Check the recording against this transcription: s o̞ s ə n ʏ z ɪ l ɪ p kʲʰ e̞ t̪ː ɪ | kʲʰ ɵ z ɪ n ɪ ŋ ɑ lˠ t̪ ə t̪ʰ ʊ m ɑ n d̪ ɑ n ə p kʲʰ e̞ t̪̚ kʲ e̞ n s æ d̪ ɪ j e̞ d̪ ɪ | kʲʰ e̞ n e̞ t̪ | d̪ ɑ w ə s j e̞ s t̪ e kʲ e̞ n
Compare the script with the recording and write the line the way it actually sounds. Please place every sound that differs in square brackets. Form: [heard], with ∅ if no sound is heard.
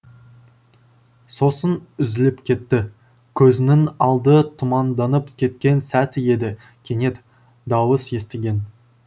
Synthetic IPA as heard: s o̞ s ə n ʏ z ɪ l ɪ p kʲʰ e̞ t̪ː ɪ | kʲʰ ɵ z ɪ n ɪ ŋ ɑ lˠ [d̪] ə t̪ʰ ʊ m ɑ n d̪ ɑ n ə p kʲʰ e̞ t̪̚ kʲ e̞ n s æ [t̪] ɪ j e̞ d̪ ɪ | kʲʰ e̞ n e̞ t̪ | d̪ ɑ w ə s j e̞ s t̪ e [ɡʲ] e̞ n

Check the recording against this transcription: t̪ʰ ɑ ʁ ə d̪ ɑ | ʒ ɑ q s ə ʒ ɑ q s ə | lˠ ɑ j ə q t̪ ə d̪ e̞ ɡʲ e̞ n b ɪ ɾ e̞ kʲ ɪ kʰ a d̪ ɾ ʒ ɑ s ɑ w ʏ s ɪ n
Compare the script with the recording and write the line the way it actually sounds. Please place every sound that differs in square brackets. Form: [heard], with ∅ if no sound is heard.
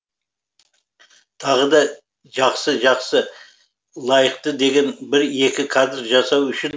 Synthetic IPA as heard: t̪ʰ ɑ ʁ ə d̪ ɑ | ʒ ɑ q s ə ʒ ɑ q s ə | lˠ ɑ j ə q t̪ ə d̪ e̞ ɡʲ e̞ n b ɪ ɾ e̞ kʲ ɪ kʰ a d̪ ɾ ʒ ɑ s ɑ w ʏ [ʃ] ɪ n

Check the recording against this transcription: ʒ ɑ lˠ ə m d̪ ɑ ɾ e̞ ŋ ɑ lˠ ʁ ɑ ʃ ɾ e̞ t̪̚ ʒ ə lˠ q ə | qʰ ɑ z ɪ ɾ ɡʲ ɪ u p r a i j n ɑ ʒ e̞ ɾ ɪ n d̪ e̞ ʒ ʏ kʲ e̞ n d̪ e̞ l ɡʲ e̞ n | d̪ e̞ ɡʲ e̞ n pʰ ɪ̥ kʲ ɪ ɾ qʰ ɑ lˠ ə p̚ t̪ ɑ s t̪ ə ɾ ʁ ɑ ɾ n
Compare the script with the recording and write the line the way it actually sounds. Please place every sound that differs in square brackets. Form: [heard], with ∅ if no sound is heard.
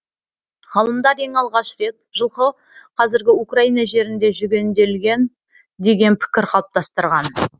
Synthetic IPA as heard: [ʁ] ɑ lˠ ə m d̪ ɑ ɾ e̞ ŋ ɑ lˠ ʁ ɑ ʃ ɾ e̞ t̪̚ ʒ ə lˠ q ə | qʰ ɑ z ɪ ɾ ɡʲ ɪ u [k] r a i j n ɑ ʒ e̞ ɾ ɪ n d̪ e̞ ʒ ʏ [ɡʲ] e̞ n d̪ e̞ l ɡʲ e̞ n | d̪ e̞ ɡʲ e̞ n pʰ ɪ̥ kʲ ɪ ɾ qʰ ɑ lˠ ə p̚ t̪ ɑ s t̪ ə ɾ ʁ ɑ [∅] n

